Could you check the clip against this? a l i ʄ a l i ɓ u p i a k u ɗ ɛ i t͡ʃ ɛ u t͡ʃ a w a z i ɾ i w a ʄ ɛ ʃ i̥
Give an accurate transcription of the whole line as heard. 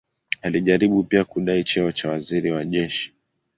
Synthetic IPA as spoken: a l i ʄ a ɾ i ɓ u p i a k u ɗ a i t͡ʃ ɛ ɔ t͡ʃ a w a z i ɾ i w a ʄ ɛ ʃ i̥

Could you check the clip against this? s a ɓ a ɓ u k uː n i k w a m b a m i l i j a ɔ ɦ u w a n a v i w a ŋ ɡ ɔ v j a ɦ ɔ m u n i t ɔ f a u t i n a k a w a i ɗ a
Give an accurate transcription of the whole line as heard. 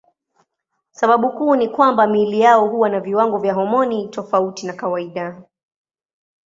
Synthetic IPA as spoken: s a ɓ a ɓ u k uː n i k w a m b a m i l i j a ɔ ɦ u w a n a v i w a ŋ ɡ ɔ v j a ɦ ɔ m ɔ n i t ɔ f a u t i n a k a w a i ɗ a

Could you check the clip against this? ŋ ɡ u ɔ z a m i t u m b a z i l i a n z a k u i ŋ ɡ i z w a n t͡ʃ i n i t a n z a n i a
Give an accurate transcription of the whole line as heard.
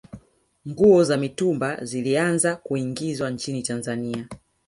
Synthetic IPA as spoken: ŋ ɡ u ɔ z a m i t u m b a z i l i a n z a k u i ŋ ɡ i z w a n t͡ʃ i n i t a n z a n i a

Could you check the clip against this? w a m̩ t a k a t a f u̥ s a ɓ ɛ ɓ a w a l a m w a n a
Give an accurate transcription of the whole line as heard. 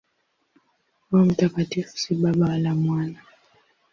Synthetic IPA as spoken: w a m̩ t a k a t i f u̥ s i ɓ a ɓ a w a l a m w a n a

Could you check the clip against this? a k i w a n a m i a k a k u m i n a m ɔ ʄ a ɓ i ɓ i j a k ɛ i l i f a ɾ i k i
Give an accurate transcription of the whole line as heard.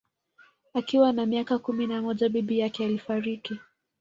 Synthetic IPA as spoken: a k i w a n a m i a k a k u m i n a m ɔ ʄ a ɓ i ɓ i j a k ɛ a l i f a ɾ i k i

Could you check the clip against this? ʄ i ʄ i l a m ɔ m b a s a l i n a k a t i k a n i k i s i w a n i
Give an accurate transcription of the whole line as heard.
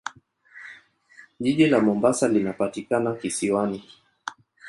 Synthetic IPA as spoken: ʄ i ʄ i l a m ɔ m b a s a l i n a p a t i k a n a k i s i w a n i

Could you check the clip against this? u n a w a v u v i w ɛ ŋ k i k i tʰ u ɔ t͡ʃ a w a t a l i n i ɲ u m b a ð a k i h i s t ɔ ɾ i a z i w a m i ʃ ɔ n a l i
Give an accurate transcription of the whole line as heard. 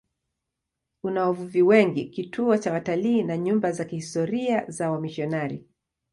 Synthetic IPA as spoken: u n a w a v u v i w ɛ ŋ ɡ i k i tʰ u ɔ t͡ʃ a w a t a l iː n a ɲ u m b a z a k i h i s t ɔ ɾ i a z a w a m i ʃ ɔ n a ɾ i

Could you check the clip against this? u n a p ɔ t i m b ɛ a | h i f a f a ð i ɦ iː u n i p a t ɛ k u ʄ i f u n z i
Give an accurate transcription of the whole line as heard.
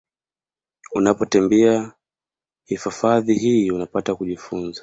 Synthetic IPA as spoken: u n a p ɔ t ɛ m b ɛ a | h i f a f a ð i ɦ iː u n a p a t a k u ʄ i f u n z a

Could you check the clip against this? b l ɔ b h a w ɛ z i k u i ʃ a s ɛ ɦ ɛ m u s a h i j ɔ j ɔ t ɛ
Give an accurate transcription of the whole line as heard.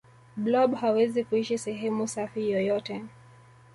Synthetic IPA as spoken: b l ɔ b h a w ɛ z i k u i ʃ i s ɛ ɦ ɛ m u s a f i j ɔ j ɔ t ɛ

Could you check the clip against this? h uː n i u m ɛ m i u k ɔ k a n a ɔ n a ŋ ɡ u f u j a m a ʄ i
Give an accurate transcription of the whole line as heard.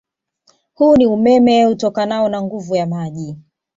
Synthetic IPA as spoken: h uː n i u m ɛ m ɛ u t ɔ k a n a ɔ n a ŋ ɡ u v u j a m a ʄ i

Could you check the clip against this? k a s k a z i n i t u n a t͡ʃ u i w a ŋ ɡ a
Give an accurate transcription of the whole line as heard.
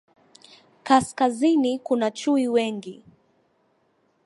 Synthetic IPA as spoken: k a s k a z i n i k u n a t͡ʃ u i w ɛ ŋ ɡ i

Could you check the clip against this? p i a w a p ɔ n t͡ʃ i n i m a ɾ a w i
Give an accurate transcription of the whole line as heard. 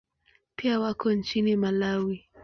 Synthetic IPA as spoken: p i a w a k ɔ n t͡ʃ i n i m a l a w i

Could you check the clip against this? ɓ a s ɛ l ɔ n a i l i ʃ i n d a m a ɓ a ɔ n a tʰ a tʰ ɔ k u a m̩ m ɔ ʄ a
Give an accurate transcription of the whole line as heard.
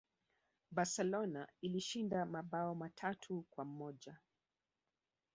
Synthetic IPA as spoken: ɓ a s ɛ l ɔ n a i l i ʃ i n d a m a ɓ a ɔ m a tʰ a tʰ u k w a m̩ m ɔ ʄ a

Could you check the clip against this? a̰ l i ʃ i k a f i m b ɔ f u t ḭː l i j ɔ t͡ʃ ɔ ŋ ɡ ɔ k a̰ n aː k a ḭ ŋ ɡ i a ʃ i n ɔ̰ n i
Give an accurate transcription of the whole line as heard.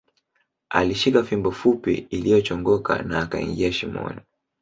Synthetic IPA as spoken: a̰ l i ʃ i k a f i m b ɔ f u p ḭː l i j ɔ t͡ʃ ɔ ŋ ɡ ɔ k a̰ n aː k a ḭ ŋ ɡ i a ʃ i m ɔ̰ n i

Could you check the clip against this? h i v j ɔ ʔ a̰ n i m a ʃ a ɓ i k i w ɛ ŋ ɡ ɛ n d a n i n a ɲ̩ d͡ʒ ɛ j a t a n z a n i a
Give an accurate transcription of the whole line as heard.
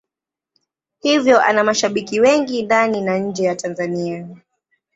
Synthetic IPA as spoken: h i v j ɔ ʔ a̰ n a m a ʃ a ɓ i k i w ɛ ŋ ɡ i n d a n i n a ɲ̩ d͡ʒ ɛ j a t a n z a n i a

